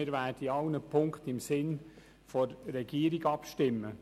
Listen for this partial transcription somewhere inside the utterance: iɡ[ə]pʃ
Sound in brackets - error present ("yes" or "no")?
yes